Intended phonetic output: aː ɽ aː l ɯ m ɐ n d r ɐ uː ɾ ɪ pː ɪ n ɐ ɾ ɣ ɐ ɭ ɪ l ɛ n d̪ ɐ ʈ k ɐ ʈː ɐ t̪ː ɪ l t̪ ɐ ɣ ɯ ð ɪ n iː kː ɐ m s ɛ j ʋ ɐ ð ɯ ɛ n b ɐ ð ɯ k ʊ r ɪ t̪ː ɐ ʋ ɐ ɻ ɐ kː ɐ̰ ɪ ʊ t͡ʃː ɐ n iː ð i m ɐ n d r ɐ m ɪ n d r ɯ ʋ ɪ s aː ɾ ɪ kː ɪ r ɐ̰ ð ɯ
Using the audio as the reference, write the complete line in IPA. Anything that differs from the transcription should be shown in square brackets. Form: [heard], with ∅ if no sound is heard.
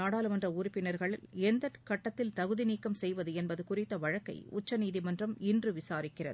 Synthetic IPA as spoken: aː ɽ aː l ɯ m ɐ n d r ɐ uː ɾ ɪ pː ɪ n ɐ ɾ ɣ ɐ ɭ ɪ l ɛ n d̪ ɐ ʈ k ɐ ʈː ɐ t̪ː ɪ l t̪ ɐ ɣ ɯ ð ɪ n iː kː ɐ m s ɛ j ʋ ɐ ð ɯ ɛ n b ɐ ð ɯ k ʊ r ɪ t̪ː ɐ ʋ ɐ ɻ ɐ kː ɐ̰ ɪ ʊ t͡ʃː ɐ n iː ð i m ɐ n d r ɐ m ɪ n d r ɯ ʋ ɪ s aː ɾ ɪ kː ɪ r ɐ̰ ð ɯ